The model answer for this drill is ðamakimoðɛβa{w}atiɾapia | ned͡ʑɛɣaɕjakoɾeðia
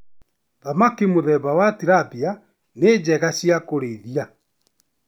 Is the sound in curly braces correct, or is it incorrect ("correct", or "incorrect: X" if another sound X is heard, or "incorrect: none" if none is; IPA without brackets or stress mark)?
correct